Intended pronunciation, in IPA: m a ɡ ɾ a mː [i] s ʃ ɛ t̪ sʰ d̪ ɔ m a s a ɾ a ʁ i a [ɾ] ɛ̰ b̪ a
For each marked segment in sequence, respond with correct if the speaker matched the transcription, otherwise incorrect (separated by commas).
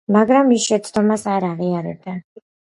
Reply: correct, correct